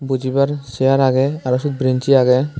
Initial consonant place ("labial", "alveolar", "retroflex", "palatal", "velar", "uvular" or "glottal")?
labial